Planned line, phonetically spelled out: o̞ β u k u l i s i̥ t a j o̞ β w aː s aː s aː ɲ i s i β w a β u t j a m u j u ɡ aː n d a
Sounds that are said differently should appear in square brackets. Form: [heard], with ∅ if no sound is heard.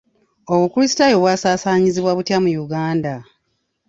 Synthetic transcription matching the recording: o̞ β u k u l i s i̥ t a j o̞ β w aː s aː s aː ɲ i [z] i β w a β u t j a m u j u ɡ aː n d a